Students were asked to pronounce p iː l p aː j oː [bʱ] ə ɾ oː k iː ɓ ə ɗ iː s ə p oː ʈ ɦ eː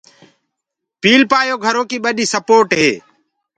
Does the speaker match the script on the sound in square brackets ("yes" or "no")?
no